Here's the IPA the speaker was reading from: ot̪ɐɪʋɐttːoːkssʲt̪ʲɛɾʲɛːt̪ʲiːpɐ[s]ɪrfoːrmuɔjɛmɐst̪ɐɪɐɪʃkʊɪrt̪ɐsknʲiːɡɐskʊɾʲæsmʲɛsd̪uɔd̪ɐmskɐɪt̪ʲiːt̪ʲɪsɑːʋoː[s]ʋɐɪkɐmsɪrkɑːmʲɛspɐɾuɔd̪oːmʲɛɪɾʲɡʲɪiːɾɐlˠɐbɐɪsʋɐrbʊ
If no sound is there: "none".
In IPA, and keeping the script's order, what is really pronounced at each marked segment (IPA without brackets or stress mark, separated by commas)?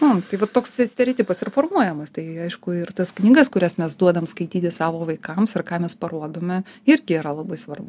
s, none